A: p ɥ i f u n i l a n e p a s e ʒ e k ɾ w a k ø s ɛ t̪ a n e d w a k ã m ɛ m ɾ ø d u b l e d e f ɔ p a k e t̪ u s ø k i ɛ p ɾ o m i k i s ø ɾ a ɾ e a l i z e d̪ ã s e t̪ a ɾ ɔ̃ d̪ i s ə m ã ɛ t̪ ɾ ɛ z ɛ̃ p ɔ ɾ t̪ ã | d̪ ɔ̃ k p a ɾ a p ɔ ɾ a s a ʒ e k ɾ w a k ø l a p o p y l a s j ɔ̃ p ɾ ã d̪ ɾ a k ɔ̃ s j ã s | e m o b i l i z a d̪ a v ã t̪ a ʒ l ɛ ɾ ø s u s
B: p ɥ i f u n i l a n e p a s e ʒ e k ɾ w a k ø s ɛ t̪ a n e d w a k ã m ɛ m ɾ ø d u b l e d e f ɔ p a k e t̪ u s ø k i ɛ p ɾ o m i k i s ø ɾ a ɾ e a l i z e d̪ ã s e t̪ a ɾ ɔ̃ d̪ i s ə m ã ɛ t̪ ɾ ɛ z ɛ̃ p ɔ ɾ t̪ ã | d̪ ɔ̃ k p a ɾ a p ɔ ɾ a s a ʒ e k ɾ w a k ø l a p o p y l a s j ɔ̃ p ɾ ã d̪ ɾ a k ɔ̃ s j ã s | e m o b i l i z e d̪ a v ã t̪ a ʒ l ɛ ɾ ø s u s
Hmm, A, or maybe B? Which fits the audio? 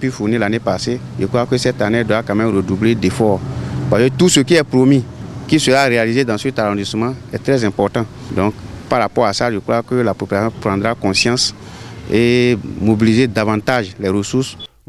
B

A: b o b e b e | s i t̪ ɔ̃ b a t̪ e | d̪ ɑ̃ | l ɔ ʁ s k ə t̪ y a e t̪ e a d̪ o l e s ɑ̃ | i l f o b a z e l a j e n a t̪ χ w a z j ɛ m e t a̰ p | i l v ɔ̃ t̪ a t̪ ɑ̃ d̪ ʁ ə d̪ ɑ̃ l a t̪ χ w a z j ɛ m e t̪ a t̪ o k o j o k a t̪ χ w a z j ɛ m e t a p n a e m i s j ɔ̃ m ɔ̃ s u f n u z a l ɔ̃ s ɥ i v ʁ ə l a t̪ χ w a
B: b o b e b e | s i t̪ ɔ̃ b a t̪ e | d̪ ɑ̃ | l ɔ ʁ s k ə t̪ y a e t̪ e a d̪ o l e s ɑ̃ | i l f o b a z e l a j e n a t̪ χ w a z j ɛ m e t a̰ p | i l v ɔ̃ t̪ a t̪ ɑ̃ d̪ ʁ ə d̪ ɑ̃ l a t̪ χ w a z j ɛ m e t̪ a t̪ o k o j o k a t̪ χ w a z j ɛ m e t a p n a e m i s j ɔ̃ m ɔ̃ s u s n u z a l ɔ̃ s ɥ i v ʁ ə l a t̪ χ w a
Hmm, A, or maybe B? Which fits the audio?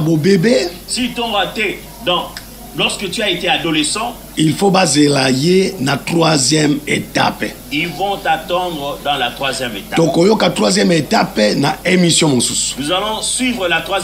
B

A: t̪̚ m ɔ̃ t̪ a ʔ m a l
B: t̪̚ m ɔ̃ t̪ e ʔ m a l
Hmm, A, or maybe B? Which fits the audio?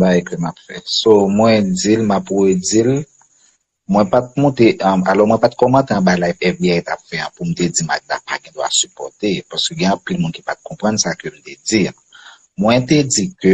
B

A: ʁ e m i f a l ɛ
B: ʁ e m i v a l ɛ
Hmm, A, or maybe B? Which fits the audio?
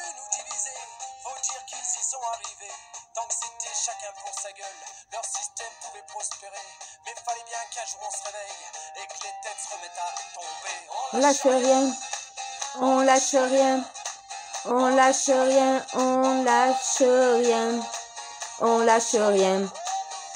A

